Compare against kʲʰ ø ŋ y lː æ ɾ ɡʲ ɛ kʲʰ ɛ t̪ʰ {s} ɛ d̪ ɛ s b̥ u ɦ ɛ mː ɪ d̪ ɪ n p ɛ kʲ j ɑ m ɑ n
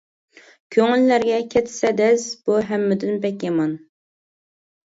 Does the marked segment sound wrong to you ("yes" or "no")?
no